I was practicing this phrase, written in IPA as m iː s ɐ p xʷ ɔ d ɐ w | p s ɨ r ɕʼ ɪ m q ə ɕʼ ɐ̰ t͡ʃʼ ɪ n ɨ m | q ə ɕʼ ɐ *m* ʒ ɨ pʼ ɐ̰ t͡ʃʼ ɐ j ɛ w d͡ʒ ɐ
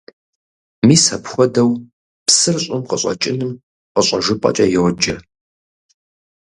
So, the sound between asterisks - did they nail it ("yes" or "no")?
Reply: no